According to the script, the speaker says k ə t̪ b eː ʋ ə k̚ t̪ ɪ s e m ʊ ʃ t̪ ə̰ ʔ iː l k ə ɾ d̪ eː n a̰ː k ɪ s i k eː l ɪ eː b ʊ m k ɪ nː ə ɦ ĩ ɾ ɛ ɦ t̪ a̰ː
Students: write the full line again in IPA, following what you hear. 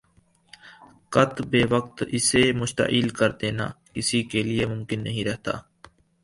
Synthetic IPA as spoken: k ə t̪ b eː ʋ ə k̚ t̪ ɪ s e m ʊ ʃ t̪ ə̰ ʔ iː l k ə ɾ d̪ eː n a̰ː k ɪ s i k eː l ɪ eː m ʊ m k ɪ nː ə ɦ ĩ ɾ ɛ ɦ t̪ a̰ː